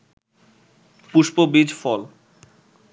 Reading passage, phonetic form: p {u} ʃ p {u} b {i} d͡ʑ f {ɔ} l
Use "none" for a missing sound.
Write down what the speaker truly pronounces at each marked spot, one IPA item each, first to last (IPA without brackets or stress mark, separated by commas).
u, o, i, ɔ